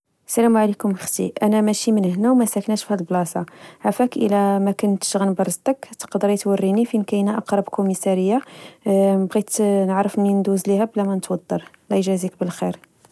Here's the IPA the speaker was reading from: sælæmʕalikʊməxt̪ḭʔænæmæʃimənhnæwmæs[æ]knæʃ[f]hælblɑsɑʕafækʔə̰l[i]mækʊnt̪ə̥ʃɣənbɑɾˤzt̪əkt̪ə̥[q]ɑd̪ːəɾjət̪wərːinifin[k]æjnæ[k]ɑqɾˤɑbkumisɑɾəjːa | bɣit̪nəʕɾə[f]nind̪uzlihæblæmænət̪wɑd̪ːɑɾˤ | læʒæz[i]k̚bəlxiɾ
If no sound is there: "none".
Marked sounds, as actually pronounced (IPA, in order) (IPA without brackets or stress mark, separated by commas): æ, f, æ, q, k, ʔ, f, i